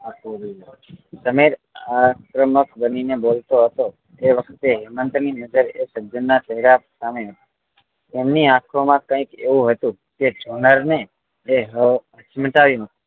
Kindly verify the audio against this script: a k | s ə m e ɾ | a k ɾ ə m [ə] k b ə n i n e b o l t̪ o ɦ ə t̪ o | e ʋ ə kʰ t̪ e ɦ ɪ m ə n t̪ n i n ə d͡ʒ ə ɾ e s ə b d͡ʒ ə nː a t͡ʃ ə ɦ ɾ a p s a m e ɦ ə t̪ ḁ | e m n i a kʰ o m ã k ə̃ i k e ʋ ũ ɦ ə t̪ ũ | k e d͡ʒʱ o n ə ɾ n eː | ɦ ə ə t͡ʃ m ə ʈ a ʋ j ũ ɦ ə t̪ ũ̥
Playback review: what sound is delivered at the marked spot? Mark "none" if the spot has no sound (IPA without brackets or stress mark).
ə